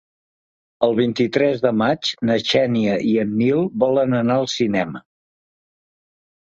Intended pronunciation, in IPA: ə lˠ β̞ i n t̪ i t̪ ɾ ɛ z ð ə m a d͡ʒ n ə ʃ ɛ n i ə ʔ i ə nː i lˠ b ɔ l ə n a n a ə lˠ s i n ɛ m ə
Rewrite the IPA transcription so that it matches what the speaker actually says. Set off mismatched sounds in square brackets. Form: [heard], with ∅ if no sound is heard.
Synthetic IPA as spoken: ə lˠ β̞ i n t̪ i t̪ ɾ ɛ z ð ə m a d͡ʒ n ə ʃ ɛ n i ə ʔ i ə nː i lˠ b ɔ l ə n [ə] n a ə lˠ s i n ɛ m ə